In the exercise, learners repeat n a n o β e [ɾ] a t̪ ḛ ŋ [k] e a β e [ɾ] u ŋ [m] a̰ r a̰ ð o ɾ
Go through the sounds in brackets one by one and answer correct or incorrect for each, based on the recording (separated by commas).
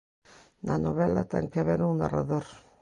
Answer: incorrect, correct, correct, incorrect